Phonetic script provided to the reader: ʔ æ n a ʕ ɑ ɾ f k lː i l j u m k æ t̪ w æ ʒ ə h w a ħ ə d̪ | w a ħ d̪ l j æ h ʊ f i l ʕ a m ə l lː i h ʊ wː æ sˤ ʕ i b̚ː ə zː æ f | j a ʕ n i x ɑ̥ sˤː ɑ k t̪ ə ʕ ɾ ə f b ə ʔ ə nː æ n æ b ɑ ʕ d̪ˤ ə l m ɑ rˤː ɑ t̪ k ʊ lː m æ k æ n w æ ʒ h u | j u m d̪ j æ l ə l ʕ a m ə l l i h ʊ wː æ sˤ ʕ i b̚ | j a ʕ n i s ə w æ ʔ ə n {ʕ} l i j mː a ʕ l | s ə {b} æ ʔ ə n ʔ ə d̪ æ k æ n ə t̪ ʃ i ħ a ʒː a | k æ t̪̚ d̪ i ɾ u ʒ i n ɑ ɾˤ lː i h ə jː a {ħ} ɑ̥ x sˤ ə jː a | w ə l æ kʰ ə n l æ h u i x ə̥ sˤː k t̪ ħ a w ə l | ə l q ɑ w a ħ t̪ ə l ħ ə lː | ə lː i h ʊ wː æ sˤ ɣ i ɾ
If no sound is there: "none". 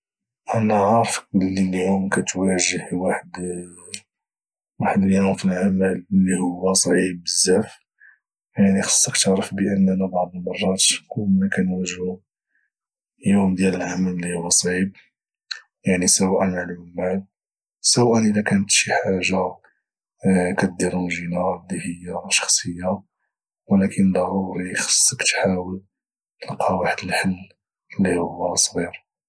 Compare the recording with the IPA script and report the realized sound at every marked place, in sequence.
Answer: ʕ, w, ʃ

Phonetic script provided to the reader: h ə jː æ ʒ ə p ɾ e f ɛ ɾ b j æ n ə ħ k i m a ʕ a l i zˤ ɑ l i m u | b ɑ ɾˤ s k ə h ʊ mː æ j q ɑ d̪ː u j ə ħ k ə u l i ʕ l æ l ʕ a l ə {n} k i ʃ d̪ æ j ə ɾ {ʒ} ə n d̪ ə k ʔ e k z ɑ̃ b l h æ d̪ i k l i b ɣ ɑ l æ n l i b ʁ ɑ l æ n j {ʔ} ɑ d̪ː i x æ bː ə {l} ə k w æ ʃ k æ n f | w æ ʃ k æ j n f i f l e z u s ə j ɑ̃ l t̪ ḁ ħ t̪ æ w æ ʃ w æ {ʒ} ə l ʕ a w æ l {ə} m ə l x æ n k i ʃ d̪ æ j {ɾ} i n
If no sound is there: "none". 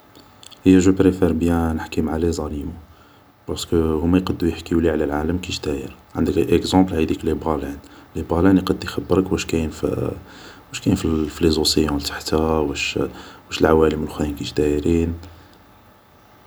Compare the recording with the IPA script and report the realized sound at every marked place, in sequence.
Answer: m, ʕ, q, ɾ, ʃ, ə, ɾ

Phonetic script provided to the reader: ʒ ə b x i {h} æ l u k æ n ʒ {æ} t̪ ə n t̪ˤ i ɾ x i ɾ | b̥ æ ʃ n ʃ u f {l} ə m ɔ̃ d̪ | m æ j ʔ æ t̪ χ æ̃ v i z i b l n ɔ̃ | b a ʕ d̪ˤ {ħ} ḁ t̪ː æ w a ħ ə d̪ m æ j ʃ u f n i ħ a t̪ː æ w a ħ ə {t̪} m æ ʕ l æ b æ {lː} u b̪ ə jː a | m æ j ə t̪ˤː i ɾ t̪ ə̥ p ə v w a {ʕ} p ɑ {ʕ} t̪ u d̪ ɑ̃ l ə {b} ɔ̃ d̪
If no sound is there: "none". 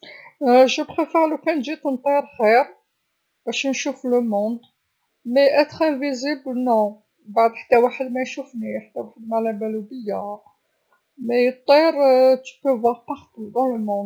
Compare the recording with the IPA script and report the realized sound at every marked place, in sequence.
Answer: f, i, l, ħ, d̪, l, ʁ, ʁ, m

